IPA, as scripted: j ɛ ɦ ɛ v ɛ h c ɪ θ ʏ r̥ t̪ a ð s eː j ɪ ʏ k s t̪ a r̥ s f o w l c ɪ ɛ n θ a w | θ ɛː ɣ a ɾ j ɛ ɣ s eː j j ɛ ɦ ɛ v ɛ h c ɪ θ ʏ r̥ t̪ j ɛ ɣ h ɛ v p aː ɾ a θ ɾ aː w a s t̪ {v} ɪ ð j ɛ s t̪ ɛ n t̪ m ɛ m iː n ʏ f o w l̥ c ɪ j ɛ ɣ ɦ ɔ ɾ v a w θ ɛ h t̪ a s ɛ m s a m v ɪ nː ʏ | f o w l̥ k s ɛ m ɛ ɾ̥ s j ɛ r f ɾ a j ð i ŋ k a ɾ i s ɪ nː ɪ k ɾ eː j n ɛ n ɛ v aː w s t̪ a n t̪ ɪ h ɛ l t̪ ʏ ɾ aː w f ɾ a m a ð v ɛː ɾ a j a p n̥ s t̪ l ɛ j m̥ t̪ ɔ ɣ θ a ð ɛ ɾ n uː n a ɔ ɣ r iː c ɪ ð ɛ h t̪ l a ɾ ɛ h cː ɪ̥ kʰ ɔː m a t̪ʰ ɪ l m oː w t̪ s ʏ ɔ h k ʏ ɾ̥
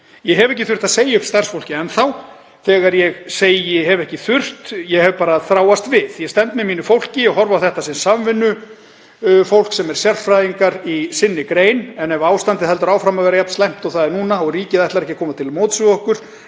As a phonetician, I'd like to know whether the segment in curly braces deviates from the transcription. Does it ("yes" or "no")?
no